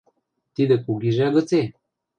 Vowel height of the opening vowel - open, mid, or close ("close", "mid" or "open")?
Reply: close